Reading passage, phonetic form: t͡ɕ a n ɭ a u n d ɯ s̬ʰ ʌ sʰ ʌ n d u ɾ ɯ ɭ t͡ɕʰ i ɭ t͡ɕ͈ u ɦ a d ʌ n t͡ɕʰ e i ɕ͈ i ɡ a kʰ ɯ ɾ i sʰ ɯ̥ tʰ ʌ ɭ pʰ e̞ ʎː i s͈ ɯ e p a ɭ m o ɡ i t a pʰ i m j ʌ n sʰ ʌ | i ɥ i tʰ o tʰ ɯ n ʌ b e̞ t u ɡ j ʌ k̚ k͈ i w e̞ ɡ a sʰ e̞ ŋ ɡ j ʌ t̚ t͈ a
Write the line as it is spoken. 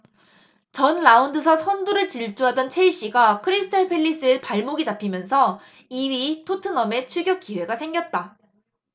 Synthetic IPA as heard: t͡ɕ ʌ n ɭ a u n d ɯ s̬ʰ ʌ sʰ ʌ n d u ɾ ɯ ɭ t͡ɕ i ɭ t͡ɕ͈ u ɦ a d ʌ n t͡ɕʰ e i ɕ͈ i ɡ a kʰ ɯ ɾ i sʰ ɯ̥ tʰ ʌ ɭ pʰ e̞ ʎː i s͈ ɯ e p a ɭ m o ɡ i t a pʰ i m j ʌ n sʰ ʌ | i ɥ i tʰ o tʰ ɯ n ʌ m e̞ t͡ɕʰ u ɡ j ʌ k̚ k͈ i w e̞ ɡ a sʰ e̞ ŋ ɡ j ʌ t̚ t͈ a